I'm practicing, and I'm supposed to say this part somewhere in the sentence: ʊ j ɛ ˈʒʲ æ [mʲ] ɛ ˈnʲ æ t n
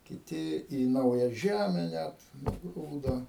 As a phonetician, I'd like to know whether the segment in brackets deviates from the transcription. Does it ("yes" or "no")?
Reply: no